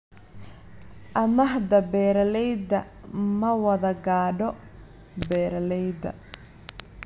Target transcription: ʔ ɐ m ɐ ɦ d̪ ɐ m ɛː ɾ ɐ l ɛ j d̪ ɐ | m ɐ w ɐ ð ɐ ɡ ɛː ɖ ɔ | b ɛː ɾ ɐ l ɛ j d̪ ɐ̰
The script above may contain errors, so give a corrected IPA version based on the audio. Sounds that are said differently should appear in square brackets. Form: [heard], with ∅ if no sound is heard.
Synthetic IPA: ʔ ɐ m ɐ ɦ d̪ ɐ [b] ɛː ɾ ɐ l ɛ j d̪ ɐ | m ɐ w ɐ ð ɐ ɡ [aː] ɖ ɔ | b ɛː ɾ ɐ l ɛ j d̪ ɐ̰